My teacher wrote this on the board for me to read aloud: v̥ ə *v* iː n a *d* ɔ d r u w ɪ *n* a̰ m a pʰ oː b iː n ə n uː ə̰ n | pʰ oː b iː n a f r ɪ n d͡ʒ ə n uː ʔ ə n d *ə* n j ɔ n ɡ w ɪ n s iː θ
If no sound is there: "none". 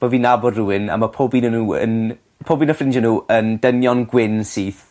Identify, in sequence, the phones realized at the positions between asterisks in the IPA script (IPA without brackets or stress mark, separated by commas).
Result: v, b, n, ə